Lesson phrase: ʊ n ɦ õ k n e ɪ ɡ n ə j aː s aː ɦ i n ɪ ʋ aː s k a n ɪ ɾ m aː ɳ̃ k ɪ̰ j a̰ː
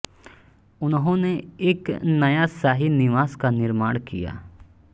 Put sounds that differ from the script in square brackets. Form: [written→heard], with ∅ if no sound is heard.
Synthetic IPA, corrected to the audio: ʊ n ɦ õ [k→∅] n e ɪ [ɡ→k] n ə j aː s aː ɦ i n ɪ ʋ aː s k a n ɪ ɾ m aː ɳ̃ k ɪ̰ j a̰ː